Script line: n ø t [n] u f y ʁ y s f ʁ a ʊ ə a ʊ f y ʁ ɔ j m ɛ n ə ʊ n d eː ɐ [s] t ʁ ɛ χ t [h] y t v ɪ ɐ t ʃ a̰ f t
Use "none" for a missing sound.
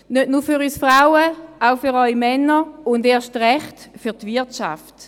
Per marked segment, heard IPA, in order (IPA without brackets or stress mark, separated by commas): n, ʃ, f